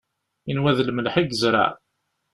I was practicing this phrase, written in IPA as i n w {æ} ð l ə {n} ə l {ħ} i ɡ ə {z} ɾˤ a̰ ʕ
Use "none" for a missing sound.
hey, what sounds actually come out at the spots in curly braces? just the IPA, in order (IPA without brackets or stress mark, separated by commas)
æ, m, ħ, z